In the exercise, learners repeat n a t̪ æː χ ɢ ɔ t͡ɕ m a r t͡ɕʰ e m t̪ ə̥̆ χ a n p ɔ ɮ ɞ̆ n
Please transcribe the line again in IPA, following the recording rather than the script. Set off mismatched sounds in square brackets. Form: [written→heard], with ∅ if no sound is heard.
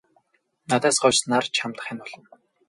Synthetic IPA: n a t̪ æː [χ→s] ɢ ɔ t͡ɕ [m→n] a r t͡ɕʰ [e→a] m t̪ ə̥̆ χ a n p ɔ ɮ ɞ̆ n